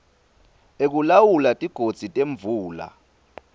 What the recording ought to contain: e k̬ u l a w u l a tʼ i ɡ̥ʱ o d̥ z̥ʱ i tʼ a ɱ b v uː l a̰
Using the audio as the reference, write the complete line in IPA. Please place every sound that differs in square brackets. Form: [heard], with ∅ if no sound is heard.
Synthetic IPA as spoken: e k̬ u l a w u l a tʼ i ɡ̥ʱ o d̥ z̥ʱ i tʼ [e] ɱ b v uː l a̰

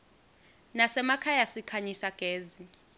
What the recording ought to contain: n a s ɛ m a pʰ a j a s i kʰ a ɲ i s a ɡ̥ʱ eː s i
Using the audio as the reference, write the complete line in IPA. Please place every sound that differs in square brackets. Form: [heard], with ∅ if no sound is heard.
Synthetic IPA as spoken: n a s ɛ m a [kʰ] a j a s i kʰ a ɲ i s a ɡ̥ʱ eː [z] i

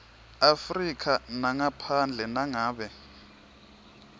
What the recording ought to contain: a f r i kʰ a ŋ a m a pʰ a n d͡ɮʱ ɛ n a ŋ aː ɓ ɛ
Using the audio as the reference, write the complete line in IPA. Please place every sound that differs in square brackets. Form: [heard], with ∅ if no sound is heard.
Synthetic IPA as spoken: a f r i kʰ a [n] a [ŋ] a pʰ a n d͡ɮʱ ɛ n a ŋ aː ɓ ɛ

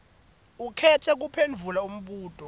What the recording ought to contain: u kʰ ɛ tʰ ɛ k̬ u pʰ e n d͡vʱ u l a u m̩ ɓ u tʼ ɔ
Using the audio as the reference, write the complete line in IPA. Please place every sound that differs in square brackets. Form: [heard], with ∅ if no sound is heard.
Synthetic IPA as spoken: u kʰ ɛ tʰ ɛ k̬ u pʰ e n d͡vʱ u l a u m̩ ɓ [uː] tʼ ɔ

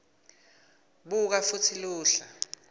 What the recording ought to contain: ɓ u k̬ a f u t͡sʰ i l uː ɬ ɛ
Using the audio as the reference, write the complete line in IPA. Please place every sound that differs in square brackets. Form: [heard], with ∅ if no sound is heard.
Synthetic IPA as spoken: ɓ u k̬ a f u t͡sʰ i l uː ɬ [a]

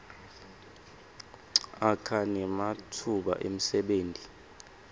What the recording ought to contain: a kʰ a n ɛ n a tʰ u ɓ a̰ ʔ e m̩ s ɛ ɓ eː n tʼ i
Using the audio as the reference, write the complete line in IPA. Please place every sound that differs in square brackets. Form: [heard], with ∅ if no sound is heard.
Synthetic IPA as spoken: a kʰ a n ɛ [m] a tʰ u ɓ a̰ ʔ e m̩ s ɛ ɓ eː n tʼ i

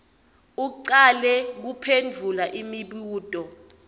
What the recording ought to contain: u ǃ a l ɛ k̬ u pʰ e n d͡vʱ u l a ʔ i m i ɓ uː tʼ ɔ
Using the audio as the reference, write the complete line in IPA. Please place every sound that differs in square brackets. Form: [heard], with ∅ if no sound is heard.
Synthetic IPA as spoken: u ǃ a l ɛ k̬ u pʰ e n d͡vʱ u l a ʔ i m i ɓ uː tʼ ɔ

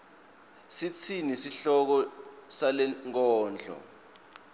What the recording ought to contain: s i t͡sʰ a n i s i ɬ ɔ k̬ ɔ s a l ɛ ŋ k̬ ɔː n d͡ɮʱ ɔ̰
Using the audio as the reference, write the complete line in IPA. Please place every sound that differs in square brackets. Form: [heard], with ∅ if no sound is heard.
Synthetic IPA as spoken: s i t͡sʰ [i] n i s i ɬ ɔ k̬ ɔ s a l ɛ ŋ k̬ ɔː n d͡ɮʱ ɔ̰

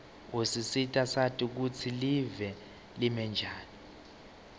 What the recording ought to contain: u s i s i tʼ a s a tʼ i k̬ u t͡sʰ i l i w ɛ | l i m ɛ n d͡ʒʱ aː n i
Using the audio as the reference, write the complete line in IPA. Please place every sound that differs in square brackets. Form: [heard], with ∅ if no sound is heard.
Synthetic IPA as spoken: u s i s i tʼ a s a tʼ i k̬ u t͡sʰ i l i [v] ɛ | l i m ɛ n d͡ʒʱ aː n i

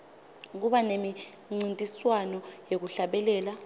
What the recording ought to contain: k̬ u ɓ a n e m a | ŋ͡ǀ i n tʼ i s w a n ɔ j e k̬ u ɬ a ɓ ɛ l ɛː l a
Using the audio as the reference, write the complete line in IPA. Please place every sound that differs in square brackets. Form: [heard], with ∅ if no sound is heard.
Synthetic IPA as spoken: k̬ u ɓ a n e m [i] | ŋ͡ǀ i n tʼ i s w a n ɔ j e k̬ u ɬ a ɓ ɛ l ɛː l a

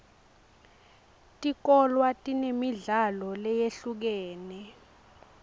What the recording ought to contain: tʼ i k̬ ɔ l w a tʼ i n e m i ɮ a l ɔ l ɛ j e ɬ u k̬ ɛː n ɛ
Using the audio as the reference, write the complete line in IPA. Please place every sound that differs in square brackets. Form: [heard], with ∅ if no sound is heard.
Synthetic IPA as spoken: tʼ i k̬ ɔ l w a tʼ i n e m i ɮ a l ɔ l ɛ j e ɬ u k̬ ɛː n ɛ

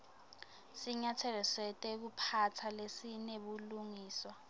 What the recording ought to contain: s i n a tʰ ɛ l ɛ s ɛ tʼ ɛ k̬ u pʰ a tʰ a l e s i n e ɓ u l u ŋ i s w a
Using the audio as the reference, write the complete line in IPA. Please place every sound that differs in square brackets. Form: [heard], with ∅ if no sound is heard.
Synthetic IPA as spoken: s i [ɲ] a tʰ ɛ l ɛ s ɛ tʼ ɛ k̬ u pʰ a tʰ a l e s i n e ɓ u l u ŋ [iː] s w a

